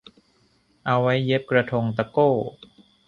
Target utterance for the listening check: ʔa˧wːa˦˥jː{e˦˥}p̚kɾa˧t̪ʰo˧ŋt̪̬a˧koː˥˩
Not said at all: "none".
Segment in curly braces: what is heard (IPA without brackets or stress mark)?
e˦˥